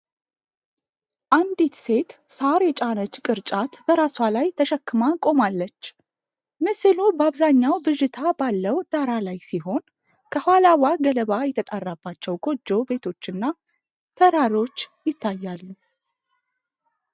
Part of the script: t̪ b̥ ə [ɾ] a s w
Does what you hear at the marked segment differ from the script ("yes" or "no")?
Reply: no